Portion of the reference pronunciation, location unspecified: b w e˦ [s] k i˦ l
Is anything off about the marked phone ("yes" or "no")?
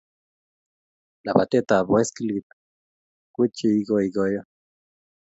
no